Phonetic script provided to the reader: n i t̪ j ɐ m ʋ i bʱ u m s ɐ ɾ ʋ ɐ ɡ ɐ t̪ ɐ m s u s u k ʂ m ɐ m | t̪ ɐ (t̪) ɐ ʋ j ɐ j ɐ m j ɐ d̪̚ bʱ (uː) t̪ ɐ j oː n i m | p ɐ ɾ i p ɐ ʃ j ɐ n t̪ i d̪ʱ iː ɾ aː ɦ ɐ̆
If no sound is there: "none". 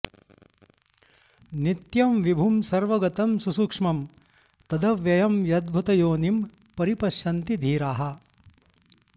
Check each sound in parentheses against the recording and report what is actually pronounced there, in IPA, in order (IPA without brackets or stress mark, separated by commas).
d̪, u